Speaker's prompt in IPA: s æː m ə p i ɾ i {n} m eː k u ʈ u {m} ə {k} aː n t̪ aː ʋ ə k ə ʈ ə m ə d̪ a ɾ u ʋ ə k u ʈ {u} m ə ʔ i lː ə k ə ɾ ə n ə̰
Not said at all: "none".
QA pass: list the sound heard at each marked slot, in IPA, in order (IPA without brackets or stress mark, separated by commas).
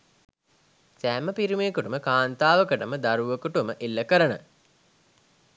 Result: none, m, k, u